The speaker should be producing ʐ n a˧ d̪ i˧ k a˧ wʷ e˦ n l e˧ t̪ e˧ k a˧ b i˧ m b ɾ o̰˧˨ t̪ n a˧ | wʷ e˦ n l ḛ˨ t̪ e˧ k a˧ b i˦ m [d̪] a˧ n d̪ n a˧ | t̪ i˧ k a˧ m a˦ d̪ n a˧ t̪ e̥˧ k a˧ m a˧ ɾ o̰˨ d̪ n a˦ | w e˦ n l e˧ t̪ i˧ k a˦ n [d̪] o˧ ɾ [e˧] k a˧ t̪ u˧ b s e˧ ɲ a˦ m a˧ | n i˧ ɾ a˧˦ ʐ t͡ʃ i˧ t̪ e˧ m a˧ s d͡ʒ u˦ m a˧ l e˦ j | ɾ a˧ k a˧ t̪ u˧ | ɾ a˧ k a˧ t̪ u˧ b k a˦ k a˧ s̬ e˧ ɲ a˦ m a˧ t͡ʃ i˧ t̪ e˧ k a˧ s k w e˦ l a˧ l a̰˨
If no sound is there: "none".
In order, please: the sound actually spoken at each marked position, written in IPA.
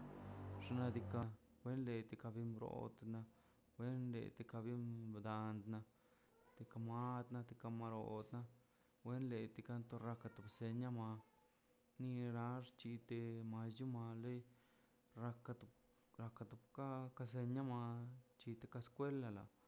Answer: d̪, t̪, a˧

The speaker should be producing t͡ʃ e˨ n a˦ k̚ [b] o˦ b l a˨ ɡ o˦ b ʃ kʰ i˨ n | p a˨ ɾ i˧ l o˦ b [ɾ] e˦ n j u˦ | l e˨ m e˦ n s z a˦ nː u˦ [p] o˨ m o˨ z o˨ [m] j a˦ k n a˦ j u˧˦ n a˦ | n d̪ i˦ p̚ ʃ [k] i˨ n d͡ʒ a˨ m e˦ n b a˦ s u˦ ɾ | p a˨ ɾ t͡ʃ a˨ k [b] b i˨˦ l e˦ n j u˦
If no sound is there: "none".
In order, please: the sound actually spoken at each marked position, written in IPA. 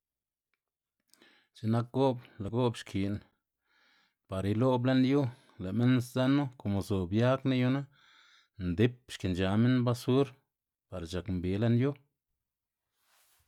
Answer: ɡ, l, k, b, k, m

